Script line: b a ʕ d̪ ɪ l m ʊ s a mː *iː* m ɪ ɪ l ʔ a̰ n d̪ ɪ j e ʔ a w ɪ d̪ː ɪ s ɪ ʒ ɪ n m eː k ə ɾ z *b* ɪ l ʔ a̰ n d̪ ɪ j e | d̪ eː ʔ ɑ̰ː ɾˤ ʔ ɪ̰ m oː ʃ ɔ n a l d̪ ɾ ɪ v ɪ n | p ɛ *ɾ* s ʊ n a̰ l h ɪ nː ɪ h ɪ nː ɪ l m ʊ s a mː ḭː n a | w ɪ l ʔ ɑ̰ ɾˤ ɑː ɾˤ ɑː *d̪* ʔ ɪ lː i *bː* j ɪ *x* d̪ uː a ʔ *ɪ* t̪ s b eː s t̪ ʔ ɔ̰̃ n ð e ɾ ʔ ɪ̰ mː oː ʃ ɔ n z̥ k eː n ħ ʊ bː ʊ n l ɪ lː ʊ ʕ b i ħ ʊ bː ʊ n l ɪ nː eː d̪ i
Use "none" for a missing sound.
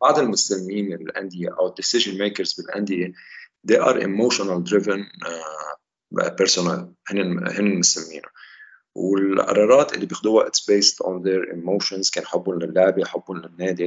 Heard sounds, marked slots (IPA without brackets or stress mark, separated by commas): iː, b, ɾ, t̪, b, x, ɪ